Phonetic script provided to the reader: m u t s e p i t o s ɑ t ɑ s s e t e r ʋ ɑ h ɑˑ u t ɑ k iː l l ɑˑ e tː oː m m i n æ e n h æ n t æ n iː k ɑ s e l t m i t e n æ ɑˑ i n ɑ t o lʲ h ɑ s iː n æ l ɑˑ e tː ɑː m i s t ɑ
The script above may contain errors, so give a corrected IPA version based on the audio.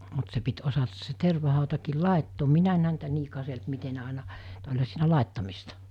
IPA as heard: m u t s e p i t o s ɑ t ɑ s s e t e r ʋ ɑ h ɑˑ u t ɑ k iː l l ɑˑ e tː oː m m i n æ e n h æ n t æ n iː k ɑ s e l t m i t e n e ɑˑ i n ɑ t o lʲ h ɑ s iː n æ l ɑˑ e tː ɑ m i s t ɑ

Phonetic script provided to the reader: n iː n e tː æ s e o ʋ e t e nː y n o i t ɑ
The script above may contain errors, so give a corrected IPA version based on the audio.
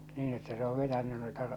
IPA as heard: n iː n e tː æ s e o ʋ e t æ nː y n o i t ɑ

